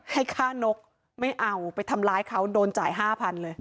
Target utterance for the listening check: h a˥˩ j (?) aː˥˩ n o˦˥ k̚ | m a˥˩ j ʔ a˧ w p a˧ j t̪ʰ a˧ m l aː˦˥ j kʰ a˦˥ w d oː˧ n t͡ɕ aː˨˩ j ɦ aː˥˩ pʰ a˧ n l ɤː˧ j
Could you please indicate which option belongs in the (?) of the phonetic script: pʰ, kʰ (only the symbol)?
kʰ